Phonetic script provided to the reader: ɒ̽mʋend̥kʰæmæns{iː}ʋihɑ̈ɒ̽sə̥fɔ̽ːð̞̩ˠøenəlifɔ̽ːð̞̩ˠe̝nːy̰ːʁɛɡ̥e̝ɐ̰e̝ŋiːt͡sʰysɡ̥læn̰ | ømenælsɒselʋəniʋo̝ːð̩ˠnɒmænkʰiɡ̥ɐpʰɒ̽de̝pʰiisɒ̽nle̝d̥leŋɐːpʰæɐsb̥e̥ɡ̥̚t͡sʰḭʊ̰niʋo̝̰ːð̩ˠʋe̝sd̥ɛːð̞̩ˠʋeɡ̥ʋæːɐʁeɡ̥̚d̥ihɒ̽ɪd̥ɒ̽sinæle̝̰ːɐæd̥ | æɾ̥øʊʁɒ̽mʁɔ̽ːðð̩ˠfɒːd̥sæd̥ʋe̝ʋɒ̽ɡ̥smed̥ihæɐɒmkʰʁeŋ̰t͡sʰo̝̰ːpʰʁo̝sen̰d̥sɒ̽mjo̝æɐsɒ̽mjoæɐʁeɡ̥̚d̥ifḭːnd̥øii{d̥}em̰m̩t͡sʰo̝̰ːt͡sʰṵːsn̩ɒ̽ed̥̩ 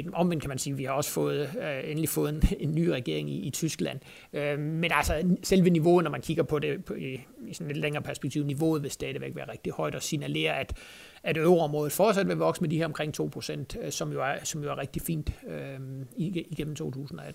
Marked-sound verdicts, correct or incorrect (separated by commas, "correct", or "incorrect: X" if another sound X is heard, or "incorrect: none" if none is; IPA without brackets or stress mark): correct, incorrect: ɡ̥